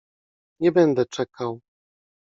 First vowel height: mid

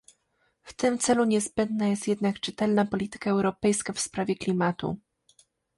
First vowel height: mid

